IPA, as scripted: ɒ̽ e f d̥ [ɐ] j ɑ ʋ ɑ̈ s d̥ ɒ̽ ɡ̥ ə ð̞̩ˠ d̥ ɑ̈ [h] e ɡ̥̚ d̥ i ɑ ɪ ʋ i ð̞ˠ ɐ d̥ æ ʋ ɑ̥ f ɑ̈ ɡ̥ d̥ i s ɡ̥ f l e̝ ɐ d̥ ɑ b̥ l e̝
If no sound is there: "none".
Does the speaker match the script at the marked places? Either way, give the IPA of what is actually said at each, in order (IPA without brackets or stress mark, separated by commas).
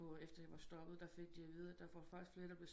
ɐ, f